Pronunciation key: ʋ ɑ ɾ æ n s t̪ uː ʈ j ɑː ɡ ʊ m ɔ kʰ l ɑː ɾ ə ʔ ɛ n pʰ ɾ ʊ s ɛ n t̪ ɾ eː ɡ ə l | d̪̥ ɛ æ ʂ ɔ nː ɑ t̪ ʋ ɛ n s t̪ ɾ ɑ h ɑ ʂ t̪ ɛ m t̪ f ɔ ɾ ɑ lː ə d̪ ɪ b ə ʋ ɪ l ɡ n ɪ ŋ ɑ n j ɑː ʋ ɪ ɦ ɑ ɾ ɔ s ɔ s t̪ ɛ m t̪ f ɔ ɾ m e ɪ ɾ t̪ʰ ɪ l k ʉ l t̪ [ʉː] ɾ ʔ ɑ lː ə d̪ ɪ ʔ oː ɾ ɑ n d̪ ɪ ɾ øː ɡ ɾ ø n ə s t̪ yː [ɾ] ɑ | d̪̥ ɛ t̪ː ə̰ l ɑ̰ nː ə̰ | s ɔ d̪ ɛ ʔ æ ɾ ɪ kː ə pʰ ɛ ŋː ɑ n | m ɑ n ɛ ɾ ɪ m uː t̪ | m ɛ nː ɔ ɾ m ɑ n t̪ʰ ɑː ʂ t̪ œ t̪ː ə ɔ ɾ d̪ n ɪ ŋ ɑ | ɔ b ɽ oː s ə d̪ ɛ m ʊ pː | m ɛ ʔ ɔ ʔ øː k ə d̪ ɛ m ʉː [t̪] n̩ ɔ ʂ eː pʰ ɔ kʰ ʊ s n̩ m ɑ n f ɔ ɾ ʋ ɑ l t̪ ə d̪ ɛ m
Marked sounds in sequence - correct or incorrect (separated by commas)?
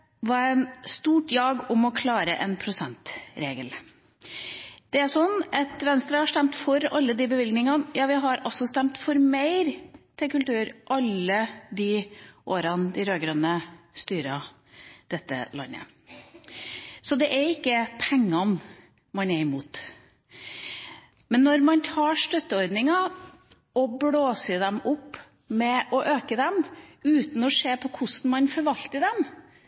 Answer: correct, correct, correct